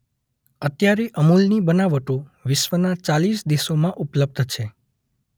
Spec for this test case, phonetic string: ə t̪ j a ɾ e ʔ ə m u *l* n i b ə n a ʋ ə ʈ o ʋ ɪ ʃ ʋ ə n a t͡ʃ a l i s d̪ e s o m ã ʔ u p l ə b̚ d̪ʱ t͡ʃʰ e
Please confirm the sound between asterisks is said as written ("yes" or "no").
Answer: yes